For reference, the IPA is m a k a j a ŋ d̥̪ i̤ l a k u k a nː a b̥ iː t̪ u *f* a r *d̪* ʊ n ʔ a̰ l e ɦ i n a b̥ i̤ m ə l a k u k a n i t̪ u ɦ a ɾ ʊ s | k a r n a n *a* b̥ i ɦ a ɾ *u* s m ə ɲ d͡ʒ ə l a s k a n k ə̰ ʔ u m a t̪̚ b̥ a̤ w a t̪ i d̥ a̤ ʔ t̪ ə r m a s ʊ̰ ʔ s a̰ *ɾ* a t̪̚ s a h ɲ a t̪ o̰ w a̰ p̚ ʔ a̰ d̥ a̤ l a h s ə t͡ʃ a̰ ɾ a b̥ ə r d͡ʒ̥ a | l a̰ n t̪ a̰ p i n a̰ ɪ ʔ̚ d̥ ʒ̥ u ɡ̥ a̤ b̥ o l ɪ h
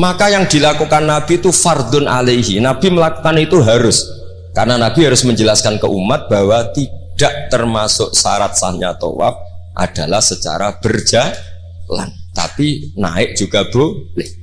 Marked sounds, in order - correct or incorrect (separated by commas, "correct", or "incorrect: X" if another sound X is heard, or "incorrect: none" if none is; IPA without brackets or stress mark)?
correct, correct, correct, incorrect: ʊ, correct